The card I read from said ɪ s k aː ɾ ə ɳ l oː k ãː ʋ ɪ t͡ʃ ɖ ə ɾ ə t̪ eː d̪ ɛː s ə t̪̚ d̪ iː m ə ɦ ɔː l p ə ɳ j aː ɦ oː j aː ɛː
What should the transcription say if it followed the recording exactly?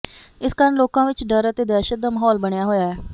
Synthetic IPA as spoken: ɪ s k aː ɾ ə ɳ l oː k ãː ʋ ɪ t͡ʃ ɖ ə ɾ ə t̪ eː d̪ ɛː ʃ ə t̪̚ d̪ aː m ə ɦ ɔː l b ə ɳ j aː ɦ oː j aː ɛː